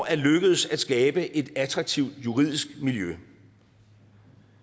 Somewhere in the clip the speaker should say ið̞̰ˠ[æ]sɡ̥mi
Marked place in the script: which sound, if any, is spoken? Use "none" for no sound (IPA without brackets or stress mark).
i